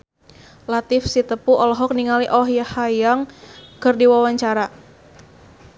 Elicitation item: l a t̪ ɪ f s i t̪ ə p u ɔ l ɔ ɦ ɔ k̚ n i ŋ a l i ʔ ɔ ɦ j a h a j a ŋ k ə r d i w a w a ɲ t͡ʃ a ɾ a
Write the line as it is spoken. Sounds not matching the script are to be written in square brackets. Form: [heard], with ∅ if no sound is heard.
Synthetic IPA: l a t̪ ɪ f s i t̪ ə p u ɔ l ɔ ɦ ɔ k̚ n i ŋ a l i ʔ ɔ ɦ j a h a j a ŋ k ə r d i w a w a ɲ t͡ʃ a ɾ a